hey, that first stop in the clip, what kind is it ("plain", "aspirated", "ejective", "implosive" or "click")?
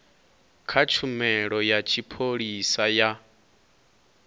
aspirated